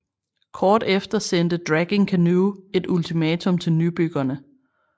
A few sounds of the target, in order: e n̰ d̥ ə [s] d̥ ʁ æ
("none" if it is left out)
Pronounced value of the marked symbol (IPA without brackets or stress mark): none